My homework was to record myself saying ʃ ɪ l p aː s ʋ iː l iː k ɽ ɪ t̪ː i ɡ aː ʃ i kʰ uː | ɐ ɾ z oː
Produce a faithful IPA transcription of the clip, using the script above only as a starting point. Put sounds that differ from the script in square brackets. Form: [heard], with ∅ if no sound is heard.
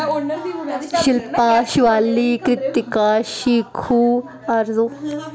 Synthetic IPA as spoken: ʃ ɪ l p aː [ʃ] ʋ [aː] l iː k [ɾ] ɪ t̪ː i [k] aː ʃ i kʰ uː | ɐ ɾ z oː